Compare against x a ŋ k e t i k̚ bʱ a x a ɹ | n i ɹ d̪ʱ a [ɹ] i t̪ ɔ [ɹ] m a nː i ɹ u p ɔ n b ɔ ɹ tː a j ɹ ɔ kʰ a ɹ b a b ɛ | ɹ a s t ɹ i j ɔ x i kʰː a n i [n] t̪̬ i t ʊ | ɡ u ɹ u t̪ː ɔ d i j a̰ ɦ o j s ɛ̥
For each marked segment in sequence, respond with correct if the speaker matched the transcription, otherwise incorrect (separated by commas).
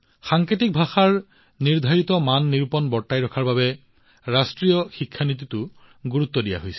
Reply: correct, incorrect, incorrect